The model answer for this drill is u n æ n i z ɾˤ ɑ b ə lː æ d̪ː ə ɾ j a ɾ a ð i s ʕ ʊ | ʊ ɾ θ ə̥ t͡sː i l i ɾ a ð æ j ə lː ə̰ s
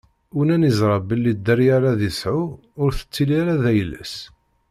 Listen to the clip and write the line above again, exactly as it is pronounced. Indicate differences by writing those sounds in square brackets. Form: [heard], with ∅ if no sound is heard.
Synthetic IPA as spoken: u n æ n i z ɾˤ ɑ b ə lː [i] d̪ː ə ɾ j a ɾ a ð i s ʕ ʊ | ʊ ɾ θ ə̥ t͡sː i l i ɾ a ð æ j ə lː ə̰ s